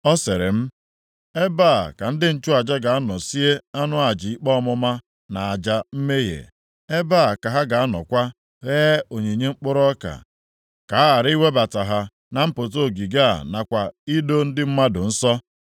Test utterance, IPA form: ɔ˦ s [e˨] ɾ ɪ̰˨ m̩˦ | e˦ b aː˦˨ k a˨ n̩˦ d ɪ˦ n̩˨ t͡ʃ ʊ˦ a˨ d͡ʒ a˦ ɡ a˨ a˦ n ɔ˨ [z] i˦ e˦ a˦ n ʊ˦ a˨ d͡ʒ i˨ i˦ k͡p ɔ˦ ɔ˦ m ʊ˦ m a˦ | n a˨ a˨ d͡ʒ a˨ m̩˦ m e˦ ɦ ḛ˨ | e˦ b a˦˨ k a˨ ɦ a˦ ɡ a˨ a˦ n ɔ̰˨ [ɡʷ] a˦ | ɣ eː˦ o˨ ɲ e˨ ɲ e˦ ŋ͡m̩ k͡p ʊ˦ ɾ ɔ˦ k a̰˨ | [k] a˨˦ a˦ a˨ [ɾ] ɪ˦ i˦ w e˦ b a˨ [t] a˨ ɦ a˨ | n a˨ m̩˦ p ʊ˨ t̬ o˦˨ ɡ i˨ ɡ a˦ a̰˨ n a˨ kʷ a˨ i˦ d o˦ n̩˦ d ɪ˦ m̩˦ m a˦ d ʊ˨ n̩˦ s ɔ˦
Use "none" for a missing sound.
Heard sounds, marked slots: e˨, s, kʷ, k, ɾ, t

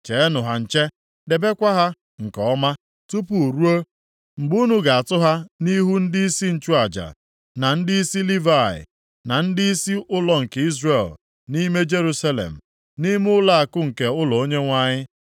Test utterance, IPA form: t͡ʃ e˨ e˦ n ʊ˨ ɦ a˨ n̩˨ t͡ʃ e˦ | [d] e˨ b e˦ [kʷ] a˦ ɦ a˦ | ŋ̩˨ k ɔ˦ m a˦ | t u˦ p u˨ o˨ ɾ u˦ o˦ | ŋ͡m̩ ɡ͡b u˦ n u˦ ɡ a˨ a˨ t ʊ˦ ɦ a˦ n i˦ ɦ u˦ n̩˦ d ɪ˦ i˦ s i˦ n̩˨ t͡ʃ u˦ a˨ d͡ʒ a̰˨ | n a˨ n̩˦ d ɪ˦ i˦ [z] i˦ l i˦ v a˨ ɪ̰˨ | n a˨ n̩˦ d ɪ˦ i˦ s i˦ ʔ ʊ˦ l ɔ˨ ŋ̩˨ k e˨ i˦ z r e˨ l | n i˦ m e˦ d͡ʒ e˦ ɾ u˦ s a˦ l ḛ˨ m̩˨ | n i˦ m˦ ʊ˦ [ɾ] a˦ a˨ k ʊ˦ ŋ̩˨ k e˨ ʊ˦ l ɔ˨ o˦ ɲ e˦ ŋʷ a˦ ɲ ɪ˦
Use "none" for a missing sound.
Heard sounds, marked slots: d, kʷ, s, l

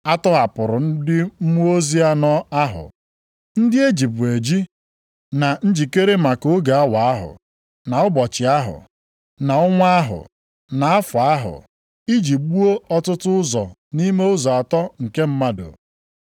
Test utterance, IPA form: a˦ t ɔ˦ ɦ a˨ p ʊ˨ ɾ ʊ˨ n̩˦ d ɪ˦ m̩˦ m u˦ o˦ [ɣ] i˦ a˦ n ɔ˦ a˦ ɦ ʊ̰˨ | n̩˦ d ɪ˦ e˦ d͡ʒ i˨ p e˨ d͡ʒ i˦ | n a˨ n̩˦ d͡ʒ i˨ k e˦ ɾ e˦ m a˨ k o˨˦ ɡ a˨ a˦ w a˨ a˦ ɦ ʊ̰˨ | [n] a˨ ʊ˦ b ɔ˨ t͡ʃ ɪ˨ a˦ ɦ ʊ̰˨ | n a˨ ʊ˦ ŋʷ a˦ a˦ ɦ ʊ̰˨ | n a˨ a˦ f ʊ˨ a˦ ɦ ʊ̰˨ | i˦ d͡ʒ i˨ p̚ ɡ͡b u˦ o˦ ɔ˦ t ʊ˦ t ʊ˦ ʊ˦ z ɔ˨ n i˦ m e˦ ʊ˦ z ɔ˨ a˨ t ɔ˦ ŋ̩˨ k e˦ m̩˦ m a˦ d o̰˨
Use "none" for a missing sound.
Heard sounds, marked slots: z, n

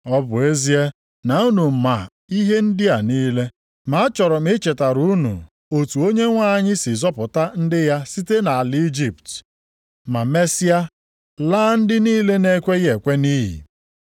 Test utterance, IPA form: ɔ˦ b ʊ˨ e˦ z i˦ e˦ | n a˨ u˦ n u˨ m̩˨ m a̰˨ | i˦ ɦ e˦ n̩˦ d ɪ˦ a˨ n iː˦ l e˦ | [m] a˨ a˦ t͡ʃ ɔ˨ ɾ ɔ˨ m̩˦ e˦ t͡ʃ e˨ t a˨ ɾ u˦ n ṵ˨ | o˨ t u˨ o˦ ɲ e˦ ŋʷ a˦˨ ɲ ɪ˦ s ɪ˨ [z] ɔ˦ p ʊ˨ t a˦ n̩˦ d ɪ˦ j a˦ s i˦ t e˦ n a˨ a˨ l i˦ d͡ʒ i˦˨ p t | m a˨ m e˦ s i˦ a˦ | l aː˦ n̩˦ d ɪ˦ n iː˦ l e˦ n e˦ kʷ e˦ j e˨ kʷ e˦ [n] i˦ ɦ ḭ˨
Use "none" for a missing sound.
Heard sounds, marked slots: m, z, n

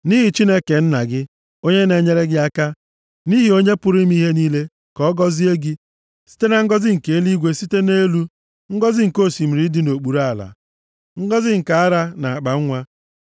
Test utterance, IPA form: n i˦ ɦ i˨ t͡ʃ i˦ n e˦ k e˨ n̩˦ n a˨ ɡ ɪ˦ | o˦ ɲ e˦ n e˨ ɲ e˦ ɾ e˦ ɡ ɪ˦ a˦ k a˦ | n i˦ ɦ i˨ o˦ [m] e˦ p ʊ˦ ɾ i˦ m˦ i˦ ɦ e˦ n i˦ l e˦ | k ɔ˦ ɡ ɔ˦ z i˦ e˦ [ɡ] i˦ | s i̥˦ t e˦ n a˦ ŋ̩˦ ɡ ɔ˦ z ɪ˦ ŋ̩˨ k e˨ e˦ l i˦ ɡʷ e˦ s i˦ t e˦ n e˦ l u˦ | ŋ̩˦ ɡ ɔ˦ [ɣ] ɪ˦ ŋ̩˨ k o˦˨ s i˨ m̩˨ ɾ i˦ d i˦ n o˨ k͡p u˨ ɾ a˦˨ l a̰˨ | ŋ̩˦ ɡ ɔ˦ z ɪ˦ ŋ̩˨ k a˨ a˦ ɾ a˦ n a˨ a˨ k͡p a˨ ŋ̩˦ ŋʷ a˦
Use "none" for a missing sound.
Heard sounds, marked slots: ɲ, ɡ, z

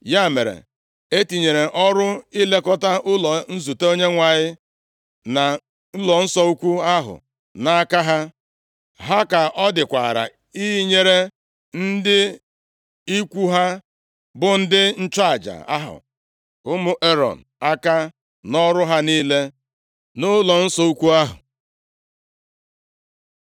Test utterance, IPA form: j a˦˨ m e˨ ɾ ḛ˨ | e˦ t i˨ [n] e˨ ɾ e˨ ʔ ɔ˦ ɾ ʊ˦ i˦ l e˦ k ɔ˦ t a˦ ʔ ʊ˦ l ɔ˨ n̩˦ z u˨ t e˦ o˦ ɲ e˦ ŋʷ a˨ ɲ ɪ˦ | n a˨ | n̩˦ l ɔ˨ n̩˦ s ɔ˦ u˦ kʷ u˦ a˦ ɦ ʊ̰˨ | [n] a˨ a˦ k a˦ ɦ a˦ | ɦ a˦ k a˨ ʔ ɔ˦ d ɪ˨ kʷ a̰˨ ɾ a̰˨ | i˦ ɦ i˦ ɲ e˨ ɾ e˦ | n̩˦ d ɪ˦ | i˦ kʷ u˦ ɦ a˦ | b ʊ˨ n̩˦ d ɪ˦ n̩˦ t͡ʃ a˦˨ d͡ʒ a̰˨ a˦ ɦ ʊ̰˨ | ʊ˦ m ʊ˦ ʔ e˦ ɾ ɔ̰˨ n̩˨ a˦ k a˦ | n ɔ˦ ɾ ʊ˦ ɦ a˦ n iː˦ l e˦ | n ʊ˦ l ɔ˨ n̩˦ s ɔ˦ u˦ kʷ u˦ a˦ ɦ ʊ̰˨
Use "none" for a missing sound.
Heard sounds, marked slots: ɲ, n

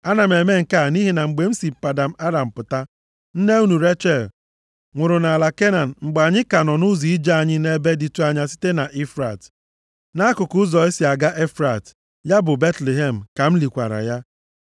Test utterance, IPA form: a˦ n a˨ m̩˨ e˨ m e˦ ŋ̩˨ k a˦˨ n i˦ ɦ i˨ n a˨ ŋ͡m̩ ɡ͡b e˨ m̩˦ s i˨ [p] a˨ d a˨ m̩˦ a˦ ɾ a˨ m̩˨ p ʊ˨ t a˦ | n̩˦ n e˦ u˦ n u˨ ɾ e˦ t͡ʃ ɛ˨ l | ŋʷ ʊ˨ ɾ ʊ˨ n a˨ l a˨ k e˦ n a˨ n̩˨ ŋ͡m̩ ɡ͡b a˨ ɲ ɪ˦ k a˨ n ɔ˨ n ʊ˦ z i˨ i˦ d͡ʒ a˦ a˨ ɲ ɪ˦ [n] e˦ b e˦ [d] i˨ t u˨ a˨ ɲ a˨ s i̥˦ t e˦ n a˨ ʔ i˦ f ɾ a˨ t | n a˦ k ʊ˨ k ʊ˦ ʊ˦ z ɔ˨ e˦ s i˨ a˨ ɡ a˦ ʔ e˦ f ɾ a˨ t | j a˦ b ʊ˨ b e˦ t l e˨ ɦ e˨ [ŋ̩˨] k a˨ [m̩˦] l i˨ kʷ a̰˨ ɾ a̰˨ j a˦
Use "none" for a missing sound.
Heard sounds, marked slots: p, n, d, m̩˨, m̩˦

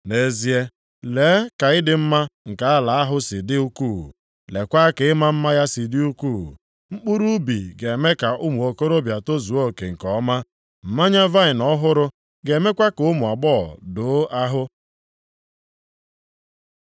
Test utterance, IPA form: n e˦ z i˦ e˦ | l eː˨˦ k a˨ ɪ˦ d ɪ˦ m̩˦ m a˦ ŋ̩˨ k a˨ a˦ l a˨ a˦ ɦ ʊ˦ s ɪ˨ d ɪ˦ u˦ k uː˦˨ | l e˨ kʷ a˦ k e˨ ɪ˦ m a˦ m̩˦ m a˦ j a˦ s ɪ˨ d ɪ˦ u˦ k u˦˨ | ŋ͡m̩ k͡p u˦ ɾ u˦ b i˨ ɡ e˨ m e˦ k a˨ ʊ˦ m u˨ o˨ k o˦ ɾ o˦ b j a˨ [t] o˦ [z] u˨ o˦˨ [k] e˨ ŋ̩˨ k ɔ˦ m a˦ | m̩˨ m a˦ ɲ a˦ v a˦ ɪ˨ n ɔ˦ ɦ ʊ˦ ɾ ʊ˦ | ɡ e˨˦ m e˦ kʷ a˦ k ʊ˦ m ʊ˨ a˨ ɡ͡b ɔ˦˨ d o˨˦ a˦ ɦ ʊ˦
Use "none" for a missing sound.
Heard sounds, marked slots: t, z, k

